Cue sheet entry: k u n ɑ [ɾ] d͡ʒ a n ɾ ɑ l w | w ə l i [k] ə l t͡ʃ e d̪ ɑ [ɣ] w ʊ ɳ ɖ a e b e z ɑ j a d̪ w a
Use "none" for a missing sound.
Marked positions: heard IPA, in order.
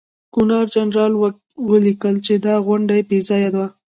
ɾ, k, ɣ

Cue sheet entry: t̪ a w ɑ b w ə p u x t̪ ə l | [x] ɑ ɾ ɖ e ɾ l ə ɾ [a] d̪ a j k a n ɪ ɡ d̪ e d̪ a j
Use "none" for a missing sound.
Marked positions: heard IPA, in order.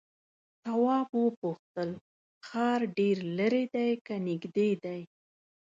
x, e

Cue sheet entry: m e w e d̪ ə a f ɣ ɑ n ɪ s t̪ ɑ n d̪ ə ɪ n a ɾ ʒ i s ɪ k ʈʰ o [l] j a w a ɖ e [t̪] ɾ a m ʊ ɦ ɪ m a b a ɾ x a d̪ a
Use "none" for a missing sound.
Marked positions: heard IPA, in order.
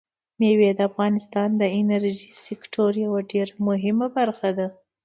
ɾ, none

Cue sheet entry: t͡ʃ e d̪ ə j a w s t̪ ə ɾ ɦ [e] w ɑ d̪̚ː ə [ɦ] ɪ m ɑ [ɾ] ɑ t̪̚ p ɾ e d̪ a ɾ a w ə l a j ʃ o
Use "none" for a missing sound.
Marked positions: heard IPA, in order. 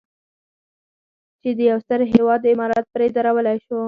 e, none, ɾ

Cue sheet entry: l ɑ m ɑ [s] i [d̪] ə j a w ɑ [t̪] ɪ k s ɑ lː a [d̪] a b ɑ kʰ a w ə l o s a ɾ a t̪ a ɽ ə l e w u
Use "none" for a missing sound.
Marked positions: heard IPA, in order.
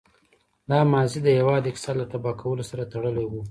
z, d̪, d̪, t̪

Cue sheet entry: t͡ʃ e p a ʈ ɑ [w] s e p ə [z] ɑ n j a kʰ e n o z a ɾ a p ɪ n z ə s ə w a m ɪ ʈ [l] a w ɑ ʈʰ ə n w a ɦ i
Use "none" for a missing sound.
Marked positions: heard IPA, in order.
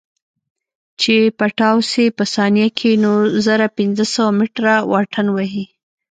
w, s, ɾ

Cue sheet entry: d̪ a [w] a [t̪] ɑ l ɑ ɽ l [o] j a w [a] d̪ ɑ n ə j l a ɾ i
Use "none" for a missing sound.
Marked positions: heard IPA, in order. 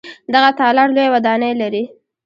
ɣ, t̪, o, a

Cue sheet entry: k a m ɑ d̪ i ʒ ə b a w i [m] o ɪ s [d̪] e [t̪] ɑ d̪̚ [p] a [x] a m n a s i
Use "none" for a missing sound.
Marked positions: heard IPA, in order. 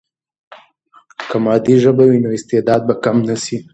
n, t̪, d̪, b, k

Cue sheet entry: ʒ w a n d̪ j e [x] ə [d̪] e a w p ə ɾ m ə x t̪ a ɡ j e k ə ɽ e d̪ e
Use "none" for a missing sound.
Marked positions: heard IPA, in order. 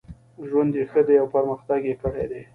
x, d̪

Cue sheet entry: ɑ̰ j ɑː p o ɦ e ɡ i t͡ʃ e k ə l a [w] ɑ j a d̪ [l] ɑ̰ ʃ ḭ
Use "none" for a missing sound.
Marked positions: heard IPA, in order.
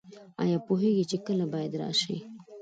b, ɾ

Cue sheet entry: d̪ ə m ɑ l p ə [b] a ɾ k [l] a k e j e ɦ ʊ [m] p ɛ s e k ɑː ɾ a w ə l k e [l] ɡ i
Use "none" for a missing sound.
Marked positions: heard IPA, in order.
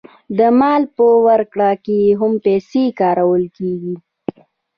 w, ɽ, m, none

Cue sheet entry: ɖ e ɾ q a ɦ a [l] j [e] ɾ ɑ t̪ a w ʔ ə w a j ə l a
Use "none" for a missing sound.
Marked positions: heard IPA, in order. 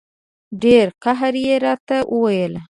ɾ, e

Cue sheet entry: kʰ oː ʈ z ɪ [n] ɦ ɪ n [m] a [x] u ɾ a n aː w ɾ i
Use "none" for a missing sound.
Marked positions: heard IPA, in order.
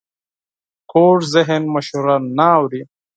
none, m, ʃ

